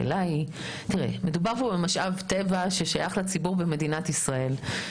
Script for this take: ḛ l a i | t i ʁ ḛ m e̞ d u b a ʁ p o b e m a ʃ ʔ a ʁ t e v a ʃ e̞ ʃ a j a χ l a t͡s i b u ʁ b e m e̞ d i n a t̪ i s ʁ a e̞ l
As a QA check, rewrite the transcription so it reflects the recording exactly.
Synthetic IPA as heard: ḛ l a i | t i ʁ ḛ m e̞ d u b a ʁ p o b e m a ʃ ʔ a v t e v a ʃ e̞ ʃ a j a χ l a t͡s i b u ʁ b e m e̞ d i n a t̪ i s ʁ a e̞ l